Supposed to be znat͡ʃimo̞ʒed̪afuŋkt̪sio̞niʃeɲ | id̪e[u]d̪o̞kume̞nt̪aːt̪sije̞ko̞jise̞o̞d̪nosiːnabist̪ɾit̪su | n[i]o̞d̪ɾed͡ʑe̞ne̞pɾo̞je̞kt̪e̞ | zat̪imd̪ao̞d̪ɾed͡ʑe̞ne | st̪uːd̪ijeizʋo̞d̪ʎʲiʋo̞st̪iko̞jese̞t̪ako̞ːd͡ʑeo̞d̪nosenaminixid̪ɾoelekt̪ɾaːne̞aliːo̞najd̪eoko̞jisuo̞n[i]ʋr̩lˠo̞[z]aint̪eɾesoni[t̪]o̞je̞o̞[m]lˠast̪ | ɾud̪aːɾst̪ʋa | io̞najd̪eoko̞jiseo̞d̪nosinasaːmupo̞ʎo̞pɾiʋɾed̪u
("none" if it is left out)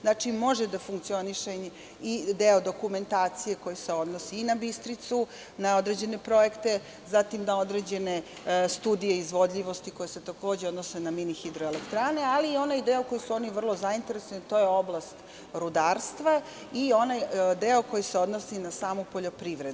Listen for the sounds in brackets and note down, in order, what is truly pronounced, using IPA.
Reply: o, a, i, z, t̪, b

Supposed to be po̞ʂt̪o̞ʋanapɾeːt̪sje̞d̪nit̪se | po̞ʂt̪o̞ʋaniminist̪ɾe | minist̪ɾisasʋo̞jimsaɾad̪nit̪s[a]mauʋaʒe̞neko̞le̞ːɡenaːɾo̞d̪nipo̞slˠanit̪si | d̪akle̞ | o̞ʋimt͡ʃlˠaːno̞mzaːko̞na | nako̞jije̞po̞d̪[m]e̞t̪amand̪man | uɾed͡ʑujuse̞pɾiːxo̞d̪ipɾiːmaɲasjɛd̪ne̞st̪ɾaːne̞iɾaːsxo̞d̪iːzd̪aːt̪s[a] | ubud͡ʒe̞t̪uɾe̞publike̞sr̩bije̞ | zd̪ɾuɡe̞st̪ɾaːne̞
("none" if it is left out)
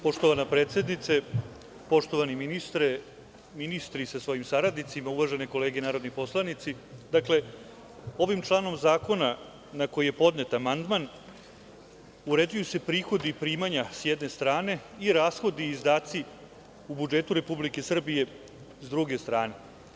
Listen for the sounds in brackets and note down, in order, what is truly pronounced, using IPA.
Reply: i, n, i

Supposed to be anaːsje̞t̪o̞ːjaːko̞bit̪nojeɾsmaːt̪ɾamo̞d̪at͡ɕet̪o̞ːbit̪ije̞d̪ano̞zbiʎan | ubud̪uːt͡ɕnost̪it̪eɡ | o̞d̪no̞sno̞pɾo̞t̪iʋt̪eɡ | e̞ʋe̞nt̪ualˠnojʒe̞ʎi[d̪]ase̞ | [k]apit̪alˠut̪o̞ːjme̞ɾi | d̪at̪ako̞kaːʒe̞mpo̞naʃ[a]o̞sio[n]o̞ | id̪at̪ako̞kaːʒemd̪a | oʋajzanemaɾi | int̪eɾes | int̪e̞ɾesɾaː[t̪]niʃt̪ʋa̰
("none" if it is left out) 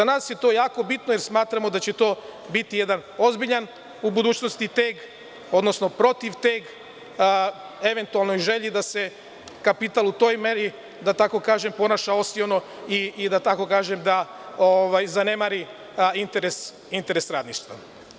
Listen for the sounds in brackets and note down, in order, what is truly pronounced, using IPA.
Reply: d̪, k, a, n, d̪

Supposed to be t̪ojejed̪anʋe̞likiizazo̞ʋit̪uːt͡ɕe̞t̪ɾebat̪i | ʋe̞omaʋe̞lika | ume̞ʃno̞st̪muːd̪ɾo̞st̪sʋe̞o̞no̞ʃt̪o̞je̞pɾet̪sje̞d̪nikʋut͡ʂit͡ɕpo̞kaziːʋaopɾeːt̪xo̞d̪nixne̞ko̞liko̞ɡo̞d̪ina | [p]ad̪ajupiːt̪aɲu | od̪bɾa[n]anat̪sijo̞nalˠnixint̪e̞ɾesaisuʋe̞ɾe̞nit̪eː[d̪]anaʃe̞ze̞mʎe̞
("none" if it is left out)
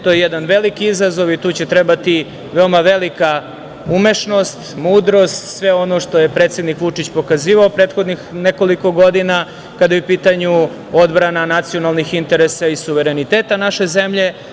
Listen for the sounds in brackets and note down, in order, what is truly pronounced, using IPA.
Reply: k, n, t̪

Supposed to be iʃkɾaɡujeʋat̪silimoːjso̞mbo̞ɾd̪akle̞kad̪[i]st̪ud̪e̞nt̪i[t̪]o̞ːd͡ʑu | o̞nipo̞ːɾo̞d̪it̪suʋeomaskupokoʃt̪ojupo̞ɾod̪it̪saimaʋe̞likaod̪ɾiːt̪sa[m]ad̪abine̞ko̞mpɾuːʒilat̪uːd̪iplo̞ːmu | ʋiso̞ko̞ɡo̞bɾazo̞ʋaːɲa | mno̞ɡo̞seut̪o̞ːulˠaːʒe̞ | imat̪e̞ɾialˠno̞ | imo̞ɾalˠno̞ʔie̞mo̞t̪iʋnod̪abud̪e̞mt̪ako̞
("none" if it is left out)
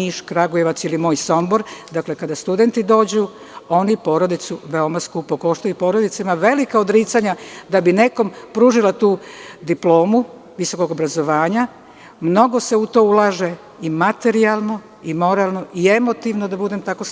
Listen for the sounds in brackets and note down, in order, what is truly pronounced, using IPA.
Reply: a, d̪, ɲ

